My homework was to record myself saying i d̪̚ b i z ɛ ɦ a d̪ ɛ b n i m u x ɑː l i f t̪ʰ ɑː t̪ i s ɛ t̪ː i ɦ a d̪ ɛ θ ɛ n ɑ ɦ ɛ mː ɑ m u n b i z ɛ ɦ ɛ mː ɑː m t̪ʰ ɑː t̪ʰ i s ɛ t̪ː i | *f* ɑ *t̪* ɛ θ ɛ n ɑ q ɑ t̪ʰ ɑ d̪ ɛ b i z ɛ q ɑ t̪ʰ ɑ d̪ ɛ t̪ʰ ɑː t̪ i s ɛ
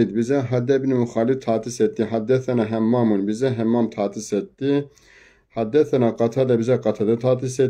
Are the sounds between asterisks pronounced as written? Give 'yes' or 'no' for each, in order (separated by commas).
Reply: no, no